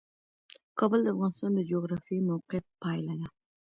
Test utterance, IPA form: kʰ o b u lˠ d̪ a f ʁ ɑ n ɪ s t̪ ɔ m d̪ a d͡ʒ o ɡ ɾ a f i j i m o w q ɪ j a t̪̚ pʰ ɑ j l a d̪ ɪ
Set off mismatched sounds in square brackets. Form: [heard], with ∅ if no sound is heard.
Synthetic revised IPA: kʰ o b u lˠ d̪ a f ʁ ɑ n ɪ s t̪ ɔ [n] d̪ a d͡ʒ o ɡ ɾ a f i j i m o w q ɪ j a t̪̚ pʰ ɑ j l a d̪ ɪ